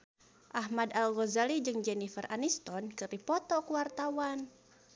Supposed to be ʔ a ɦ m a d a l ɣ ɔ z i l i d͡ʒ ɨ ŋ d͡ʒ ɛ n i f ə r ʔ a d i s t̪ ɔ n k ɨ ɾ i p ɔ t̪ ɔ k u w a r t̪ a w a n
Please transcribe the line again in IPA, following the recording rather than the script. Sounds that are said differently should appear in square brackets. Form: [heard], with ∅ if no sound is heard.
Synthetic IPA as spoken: ʔ a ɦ m a d a l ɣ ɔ z [a] l i d͡ʒ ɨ ŋ d͡ʒ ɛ n i f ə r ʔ a [n] i s t̪ ɔ n k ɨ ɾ i p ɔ t̪ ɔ k u w a r t̪ a w a n